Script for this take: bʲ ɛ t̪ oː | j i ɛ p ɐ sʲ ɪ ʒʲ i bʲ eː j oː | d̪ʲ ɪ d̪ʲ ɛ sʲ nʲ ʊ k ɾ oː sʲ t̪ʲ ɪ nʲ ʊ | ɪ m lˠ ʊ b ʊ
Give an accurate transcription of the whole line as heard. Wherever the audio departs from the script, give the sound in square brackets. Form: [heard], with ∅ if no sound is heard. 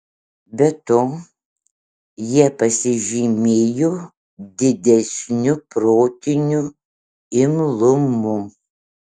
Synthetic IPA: bʲ ɛ t̪ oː | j i ɛ p ɐ sʲ ɪ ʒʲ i [mʲ] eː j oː | d̪ʲ ɪ d̪ʲ ɛ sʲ nʲ ʊ [p] ɾ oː [∅] t̪ʲ ɪ nʲ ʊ | ɪ m lˠ ʊ [m] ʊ

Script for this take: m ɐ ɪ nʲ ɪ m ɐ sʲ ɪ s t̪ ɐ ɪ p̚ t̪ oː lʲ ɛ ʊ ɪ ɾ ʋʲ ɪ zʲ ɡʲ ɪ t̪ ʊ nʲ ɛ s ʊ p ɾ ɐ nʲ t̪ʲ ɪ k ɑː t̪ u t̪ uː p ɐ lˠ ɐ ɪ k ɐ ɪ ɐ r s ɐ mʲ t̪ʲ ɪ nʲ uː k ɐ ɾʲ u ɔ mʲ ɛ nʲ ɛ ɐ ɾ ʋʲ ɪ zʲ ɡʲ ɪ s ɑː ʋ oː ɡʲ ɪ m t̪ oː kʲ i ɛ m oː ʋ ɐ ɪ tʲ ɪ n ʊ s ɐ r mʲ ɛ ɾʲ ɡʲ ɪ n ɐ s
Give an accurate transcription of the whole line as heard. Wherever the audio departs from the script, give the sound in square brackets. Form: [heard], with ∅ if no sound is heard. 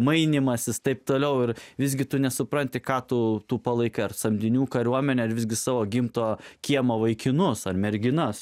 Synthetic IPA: m ɐ ɪ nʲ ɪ m ɐ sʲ ɪ s t̪ ɐ ɪ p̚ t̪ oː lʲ ɛ ʊ ɪ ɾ ʋʲ ɪ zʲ ɡʲ ɪ t̪ ʊ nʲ ɛ s ʊ p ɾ ɐ nʲ t̪ʲ ɪ k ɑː t̪ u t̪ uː p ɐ lˠ ɐ ɪ k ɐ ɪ ɐ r s ɐ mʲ [d̪ʲ] ɪ nʲ uː k ɐ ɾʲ u ɔ mʲ ɛ nʲ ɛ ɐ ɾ ʋʲ ɪ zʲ ɡʲ ɪ s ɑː ʋ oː ɡʲ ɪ m t̪ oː kʲ i ɛ m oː ʋ ɐ ɪ [kʲ] ɪ n ʊ s ɐ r mʲ ɛ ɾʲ ɡʲ ɪ n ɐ s

